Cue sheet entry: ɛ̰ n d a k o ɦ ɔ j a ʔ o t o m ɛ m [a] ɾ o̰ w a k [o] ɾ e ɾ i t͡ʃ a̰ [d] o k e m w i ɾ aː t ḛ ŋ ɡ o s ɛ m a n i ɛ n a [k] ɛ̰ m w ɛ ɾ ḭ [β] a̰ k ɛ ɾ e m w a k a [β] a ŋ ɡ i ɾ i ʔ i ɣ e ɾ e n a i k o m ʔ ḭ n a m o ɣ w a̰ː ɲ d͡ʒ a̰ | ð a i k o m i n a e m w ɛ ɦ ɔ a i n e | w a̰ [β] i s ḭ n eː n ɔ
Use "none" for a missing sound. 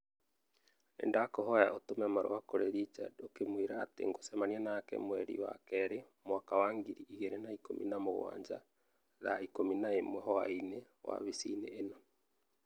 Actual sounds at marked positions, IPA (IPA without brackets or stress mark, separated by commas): a, o, d, k, w, w, β